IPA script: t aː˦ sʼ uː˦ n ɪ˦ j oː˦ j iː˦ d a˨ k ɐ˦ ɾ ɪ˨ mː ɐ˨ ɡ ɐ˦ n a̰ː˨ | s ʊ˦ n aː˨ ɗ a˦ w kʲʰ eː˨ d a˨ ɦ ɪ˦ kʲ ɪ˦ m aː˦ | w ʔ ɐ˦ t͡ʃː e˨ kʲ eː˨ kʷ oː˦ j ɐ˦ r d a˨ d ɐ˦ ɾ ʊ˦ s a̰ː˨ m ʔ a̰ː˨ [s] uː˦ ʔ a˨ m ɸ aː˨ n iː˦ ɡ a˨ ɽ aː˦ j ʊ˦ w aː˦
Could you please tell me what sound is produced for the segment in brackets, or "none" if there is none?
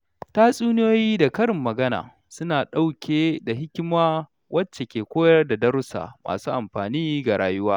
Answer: s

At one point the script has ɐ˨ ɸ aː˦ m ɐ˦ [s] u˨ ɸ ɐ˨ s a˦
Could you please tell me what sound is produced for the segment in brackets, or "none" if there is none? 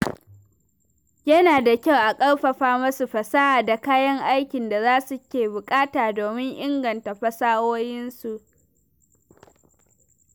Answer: s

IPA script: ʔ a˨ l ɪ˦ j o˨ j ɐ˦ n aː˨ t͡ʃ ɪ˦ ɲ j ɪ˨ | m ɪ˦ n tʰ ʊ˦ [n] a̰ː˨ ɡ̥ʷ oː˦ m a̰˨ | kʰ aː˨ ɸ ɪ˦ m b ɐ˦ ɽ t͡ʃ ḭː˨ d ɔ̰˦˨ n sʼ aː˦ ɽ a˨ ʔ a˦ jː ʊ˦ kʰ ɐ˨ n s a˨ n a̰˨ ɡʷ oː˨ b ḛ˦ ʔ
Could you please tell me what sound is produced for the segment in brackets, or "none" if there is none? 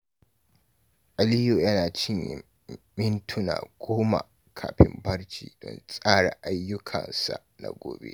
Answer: n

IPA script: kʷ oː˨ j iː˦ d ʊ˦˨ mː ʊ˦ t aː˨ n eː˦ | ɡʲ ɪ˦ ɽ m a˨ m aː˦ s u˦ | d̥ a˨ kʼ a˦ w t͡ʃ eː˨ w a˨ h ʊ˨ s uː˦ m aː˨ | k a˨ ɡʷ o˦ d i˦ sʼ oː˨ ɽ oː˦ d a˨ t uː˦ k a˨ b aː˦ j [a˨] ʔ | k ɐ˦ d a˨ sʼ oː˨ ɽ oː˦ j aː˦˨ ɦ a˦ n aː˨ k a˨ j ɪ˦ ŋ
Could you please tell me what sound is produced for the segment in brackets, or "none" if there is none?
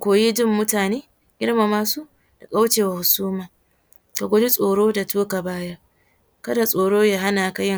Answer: a˦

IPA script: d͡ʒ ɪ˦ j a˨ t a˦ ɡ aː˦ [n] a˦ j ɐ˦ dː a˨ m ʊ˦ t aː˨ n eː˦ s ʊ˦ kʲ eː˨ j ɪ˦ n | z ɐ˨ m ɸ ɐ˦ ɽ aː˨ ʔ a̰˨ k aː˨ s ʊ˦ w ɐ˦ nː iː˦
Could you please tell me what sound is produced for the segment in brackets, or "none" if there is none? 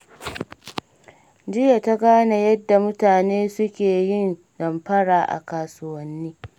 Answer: n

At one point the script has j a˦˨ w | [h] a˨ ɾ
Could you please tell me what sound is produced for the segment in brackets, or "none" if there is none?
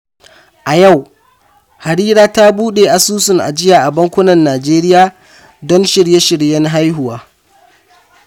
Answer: h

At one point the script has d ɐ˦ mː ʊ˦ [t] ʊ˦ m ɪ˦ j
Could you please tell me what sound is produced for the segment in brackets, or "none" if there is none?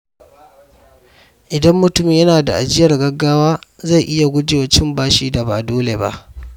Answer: t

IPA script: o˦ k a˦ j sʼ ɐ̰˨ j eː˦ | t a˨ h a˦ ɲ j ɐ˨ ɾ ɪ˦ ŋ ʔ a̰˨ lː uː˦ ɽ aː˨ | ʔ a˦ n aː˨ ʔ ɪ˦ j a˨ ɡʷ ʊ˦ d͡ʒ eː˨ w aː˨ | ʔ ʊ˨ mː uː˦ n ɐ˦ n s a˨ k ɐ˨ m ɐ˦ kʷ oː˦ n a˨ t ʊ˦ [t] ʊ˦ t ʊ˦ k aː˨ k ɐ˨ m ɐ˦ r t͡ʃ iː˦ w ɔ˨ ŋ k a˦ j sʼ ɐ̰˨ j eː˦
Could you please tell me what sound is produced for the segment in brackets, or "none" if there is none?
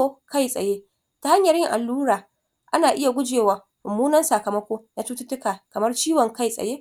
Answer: t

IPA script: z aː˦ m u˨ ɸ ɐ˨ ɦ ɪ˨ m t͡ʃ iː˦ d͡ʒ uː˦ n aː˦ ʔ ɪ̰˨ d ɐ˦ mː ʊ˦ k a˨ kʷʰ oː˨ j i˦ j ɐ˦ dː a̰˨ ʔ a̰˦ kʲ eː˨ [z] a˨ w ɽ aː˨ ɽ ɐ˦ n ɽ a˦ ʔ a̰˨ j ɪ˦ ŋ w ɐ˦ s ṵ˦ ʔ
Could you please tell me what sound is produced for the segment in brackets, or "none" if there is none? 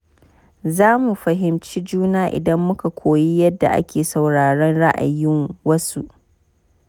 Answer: s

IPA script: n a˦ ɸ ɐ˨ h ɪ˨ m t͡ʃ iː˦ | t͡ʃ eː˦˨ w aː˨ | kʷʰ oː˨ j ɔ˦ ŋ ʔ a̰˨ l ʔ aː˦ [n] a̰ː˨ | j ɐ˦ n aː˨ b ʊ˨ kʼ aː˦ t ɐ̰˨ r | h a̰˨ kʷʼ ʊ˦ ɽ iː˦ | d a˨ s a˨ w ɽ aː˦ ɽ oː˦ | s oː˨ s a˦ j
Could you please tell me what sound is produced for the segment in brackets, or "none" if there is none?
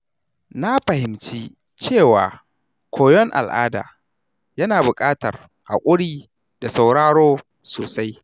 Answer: d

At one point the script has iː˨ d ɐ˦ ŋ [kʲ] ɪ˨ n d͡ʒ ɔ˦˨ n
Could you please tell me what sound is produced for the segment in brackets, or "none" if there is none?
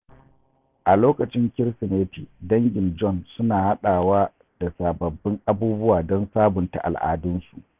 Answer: ɡʲ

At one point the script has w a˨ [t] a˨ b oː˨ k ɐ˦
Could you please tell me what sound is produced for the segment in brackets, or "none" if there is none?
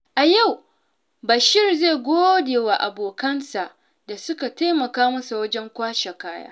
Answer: ʔ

